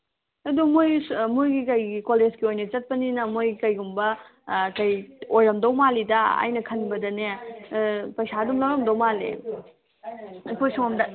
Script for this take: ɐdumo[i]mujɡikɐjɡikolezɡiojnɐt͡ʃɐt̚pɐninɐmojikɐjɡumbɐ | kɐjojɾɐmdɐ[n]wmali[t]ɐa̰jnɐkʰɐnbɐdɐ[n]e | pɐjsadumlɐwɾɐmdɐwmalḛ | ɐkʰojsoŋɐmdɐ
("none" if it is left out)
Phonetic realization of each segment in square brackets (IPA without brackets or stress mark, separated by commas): j, none, d, n